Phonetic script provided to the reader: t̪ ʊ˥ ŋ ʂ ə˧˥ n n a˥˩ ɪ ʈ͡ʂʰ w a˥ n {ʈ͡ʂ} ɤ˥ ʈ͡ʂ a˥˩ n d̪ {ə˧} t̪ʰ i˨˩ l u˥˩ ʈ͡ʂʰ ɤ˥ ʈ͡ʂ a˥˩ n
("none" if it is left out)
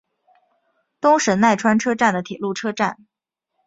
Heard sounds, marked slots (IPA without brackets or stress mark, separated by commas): ʈ͡ʂʰ, ə˩